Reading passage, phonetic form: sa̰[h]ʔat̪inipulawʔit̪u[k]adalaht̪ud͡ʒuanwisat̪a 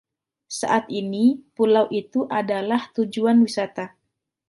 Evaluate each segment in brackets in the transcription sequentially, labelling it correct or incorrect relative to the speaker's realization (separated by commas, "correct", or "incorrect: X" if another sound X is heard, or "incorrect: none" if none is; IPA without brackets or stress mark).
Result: incorrect: none, incorrect: ʔ